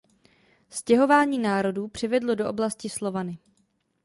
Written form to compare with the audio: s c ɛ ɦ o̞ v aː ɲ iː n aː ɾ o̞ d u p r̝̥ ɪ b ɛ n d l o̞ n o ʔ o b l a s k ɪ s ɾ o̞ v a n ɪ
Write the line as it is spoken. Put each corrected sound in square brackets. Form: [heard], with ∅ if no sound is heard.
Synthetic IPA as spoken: s c ɛ ɦ o̞ v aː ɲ iː n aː ɾ o̞ d [uː] p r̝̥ ɪ [v] ɛ [∅] d l o̞ [d] o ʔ o b l a s [c] ɪ s [l] o̞ v a n ɪ